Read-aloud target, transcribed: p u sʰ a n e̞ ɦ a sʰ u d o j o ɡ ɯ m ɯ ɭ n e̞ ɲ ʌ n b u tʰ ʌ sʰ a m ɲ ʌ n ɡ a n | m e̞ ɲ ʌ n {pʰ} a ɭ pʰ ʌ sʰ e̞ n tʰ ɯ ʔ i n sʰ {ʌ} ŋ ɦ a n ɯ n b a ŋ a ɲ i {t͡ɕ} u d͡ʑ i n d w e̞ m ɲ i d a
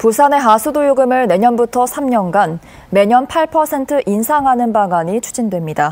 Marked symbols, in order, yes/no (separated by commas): yes, no, no